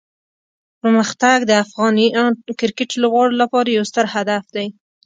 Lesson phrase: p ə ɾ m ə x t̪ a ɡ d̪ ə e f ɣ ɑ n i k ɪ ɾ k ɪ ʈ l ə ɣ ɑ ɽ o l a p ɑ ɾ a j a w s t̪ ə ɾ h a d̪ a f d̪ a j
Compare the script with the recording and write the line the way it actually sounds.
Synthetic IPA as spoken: p ə ɾ m ə x t̪ a ɡ d̪ ə a f ɣ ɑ n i k ɪ ɾ k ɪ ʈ l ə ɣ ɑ ɽ o l a p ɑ ɾ a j a w s t̪ ə ɾ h a d̪ a f d̪ a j